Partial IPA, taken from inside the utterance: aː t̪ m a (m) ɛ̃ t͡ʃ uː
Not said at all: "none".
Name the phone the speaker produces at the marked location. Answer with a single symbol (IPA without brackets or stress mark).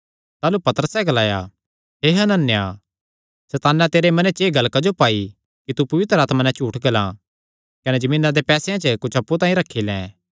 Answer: n